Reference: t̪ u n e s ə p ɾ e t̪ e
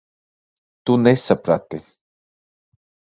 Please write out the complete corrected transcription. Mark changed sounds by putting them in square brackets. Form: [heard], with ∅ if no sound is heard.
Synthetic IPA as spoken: t̪ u n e s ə p ɾ [a] t̪ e